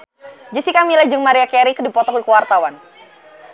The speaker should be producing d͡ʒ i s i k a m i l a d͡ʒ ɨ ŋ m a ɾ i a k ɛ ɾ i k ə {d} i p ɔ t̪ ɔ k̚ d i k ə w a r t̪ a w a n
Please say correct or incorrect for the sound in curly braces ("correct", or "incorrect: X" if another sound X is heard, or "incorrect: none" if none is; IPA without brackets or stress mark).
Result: correct